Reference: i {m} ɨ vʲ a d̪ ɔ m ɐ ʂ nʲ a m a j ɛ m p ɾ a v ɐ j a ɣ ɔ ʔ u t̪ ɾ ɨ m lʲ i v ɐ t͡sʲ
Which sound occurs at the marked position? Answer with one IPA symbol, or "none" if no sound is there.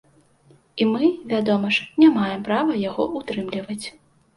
m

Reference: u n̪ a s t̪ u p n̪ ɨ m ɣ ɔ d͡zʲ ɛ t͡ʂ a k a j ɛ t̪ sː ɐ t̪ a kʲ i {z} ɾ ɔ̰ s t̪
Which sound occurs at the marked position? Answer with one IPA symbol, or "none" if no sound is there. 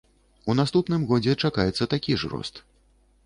ʐ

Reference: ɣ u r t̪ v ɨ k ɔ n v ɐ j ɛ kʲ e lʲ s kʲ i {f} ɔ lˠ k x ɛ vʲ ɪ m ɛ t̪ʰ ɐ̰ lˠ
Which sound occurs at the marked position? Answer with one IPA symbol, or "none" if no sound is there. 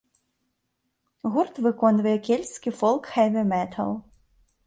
f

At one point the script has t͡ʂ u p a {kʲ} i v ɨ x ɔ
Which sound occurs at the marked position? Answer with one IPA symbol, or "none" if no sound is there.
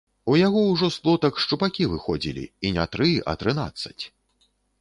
kʲ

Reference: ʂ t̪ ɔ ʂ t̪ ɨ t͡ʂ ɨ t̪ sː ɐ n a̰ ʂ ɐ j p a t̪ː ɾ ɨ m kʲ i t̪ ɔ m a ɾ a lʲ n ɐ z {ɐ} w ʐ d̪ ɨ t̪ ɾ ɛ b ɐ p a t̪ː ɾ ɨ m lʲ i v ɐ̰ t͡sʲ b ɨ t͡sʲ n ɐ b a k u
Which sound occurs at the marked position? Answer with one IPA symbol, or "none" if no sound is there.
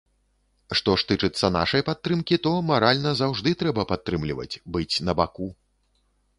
a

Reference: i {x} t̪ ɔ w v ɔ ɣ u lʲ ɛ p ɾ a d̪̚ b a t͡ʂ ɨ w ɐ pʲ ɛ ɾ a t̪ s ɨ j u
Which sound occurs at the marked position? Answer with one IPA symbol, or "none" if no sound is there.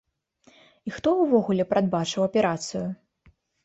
x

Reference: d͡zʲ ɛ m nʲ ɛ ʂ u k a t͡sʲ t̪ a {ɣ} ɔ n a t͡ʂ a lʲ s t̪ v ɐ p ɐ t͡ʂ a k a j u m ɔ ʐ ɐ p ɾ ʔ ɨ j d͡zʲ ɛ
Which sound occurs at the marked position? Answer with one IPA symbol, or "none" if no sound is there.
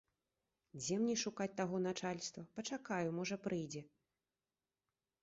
ɣ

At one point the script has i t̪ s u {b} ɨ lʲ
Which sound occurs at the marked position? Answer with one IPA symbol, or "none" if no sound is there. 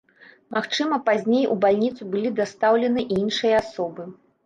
b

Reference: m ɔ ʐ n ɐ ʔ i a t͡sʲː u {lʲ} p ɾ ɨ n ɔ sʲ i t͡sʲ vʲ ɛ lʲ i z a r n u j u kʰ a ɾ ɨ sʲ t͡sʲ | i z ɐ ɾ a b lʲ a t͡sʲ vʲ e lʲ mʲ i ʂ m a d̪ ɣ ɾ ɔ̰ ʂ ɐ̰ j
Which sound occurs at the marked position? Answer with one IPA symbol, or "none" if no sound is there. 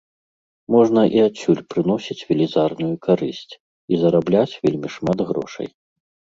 lʲ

